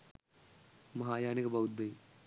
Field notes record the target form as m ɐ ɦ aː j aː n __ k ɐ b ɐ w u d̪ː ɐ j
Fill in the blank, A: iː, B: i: B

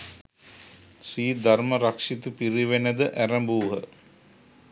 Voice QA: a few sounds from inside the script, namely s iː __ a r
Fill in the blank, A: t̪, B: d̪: B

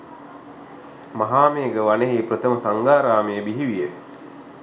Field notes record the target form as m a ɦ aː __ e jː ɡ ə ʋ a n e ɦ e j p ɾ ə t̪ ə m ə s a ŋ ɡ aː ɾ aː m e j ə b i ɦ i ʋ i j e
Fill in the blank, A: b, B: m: B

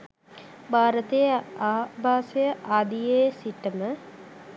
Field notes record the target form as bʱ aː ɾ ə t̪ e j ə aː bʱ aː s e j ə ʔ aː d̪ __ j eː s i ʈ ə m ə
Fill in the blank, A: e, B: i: B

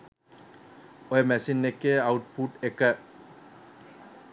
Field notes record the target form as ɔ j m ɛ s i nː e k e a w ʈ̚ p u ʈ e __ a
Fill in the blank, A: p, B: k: B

